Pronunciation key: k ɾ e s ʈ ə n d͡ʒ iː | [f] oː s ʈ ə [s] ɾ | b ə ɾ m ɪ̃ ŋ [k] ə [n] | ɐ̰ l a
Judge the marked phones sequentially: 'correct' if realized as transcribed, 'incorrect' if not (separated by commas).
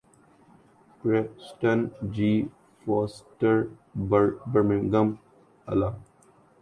correct, incorrect, incorrect, incorrect